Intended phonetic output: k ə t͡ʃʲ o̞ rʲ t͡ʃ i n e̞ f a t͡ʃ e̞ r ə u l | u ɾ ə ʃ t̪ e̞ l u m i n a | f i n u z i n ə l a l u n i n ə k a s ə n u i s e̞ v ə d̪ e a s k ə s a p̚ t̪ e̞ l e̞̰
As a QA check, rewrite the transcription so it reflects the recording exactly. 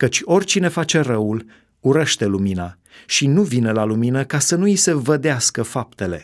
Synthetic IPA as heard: k ə t͡ʃʲ o̞ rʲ t͡ʃ i n e̞ f a t͡ʃ e̞ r ə u l | u ɾ ə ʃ t̪ e̞ l u m i n a | ʃ i n u v i n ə l a l u m i n ə k a s ə n u i s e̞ v ə d̪ e a s k ə f a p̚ t̪ e̞ l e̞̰